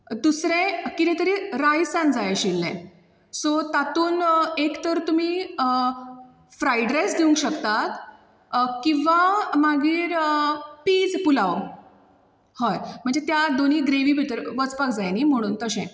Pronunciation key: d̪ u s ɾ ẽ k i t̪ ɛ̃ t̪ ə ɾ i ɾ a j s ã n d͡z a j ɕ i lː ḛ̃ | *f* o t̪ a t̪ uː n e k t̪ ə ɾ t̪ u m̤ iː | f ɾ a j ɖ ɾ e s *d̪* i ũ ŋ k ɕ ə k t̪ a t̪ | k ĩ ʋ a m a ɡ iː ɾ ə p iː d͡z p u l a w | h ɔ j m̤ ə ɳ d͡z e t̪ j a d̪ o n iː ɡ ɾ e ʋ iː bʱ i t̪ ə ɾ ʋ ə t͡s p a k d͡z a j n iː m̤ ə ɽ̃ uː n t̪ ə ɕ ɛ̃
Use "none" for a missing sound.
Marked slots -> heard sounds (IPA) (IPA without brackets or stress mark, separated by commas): s, d̪